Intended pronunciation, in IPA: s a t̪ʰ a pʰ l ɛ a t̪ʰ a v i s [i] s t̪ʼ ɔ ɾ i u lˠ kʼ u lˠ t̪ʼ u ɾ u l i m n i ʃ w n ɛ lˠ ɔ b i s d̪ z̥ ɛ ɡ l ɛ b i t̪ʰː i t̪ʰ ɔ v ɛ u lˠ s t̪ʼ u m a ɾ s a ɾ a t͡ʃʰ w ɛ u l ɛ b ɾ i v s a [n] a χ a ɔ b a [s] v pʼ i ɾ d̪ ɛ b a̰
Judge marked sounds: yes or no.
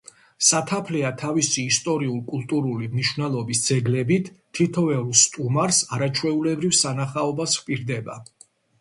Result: no, yes, yes

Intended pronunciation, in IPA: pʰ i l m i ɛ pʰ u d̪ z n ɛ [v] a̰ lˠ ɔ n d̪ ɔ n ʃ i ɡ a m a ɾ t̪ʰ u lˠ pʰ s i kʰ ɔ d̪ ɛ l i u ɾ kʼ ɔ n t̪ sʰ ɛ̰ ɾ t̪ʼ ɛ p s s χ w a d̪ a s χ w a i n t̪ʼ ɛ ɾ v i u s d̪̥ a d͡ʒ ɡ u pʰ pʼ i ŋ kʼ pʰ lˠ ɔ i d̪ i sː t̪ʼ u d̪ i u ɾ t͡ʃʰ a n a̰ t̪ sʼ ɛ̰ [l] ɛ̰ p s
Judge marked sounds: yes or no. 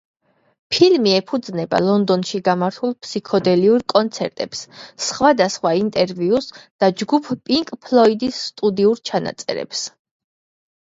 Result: no, no

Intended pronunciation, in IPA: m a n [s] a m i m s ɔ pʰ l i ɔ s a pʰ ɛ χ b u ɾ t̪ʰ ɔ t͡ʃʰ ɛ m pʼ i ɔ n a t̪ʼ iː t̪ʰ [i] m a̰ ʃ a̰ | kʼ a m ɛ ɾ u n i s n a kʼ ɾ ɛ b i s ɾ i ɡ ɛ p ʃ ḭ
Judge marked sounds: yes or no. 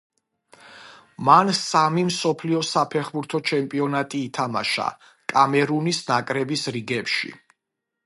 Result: yes, no

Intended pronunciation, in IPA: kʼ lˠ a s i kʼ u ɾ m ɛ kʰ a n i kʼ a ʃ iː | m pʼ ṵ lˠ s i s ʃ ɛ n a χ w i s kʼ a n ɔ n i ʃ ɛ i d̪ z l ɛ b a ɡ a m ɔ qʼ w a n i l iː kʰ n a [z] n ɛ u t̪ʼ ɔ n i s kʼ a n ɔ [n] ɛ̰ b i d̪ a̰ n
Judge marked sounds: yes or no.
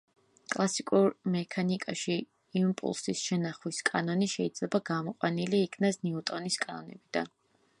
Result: no, yes

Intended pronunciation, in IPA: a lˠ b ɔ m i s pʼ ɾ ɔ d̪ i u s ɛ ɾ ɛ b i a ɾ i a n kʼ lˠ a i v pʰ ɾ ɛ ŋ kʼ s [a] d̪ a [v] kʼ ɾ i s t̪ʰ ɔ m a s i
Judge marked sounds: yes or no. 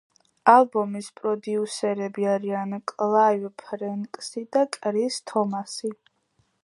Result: no, no

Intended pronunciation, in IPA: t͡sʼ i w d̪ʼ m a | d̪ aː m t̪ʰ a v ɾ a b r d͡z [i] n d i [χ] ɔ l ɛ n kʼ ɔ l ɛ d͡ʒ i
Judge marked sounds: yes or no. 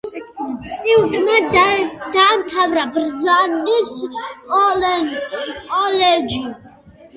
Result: no, no

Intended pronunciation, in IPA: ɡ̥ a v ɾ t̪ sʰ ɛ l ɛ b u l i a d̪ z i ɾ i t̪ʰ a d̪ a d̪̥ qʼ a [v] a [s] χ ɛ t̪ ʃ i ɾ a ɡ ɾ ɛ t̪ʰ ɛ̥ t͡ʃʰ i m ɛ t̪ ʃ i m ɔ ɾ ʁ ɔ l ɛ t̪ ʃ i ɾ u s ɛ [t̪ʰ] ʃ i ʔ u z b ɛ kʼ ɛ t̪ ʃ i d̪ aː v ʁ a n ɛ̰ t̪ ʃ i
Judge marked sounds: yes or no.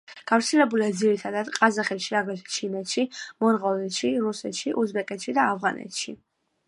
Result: no, no, no

